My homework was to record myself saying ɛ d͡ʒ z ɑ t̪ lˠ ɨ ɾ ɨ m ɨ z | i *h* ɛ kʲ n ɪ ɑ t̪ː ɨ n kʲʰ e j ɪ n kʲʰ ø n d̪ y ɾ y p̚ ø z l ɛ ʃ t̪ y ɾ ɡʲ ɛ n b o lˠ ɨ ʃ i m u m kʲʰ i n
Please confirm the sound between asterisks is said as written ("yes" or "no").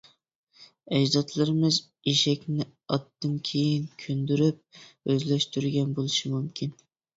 no